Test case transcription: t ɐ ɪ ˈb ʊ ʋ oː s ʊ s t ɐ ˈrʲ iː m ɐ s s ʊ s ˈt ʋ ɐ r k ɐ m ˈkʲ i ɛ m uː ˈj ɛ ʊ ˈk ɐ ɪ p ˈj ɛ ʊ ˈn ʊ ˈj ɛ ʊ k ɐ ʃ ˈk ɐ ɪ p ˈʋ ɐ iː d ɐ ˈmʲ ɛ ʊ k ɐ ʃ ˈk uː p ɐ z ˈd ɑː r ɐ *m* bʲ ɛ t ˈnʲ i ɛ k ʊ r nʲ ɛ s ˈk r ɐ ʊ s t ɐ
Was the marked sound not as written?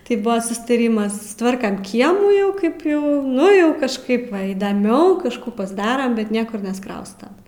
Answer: no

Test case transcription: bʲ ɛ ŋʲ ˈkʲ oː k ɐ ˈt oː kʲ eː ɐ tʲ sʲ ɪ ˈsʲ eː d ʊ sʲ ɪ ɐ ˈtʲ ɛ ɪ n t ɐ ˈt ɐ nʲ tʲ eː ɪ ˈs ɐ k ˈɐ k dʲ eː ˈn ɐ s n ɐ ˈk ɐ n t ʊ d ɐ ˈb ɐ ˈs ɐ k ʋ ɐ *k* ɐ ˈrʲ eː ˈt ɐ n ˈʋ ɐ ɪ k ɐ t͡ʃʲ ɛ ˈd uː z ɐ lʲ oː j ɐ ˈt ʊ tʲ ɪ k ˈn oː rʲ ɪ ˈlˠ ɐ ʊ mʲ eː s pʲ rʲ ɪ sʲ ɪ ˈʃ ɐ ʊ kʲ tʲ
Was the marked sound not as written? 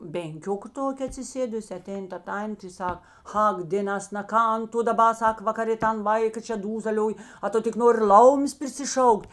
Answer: no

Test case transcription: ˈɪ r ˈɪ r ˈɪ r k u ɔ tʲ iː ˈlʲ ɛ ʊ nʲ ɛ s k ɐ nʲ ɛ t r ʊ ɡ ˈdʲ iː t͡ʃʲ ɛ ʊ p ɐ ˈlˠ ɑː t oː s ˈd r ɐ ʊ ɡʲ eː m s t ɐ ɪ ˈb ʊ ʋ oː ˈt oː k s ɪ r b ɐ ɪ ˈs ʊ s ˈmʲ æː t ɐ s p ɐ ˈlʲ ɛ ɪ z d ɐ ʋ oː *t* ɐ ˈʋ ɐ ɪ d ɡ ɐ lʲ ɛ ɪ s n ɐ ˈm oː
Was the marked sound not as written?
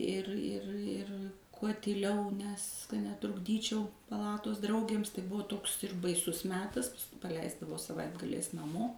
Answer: yes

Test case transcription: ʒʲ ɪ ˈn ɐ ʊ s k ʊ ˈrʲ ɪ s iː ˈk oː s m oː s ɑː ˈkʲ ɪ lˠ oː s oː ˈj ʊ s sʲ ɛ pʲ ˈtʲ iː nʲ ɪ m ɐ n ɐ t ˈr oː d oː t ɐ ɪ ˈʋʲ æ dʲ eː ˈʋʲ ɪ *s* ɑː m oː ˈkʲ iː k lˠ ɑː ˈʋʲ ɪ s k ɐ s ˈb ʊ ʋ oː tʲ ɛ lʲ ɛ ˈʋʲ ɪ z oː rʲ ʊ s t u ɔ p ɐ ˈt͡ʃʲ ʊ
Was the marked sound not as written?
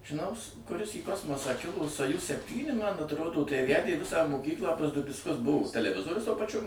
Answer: no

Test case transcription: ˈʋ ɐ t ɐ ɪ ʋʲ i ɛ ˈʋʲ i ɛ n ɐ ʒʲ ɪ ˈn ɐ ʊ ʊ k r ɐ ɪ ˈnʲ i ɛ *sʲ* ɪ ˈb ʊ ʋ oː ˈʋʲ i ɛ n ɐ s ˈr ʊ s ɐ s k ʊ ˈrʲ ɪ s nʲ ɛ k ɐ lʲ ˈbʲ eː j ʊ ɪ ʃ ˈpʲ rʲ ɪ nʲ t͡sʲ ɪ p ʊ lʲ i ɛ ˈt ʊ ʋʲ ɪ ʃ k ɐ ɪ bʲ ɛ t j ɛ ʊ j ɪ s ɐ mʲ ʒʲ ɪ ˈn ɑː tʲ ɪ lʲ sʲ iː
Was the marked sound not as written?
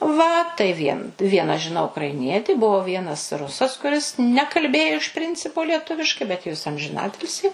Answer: yes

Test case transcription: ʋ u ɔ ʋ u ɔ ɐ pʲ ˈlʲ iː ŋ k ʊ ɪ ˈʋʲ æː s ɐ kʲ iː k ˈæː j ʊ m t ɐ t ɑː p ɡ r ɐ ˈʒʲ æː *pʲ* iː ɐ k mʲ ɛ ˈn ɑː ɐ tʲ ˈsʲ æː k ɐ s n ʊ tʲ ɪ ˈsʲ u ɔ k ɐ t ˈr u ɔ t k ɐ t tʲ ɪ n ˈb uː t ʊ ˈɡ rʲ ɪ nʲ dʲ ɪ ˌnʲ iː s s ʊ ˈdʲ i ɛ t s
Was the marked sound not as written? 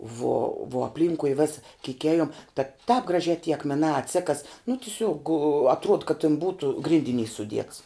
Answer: yes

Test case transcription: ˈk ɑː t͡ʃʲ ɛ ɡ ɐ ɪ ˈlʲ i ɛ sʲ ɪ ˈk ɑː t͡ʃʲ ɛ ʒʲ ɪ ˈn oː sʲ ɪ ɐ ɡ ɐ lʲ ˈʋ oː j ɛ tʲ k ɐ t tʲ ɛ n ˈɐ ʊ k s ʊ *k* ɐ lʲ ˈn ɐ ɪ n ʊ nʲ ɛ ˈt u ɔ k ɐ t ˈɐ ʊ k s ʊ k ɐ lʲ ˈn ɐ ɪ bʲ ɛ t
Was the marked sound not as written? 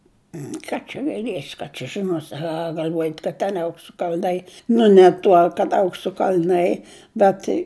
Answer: no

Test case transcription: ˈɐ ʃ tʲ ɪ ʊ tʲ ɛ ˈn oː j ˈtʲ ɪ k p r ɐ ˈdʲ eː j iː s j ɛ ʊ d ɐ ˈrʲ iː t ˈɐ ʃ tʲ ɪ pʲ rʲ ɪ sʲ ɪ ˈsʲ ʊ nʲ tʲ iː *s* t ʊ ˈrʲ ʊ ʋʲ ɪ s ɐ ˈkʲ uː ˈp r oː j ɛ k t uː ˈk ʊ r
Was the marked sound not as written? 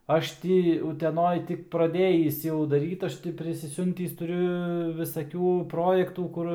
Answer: no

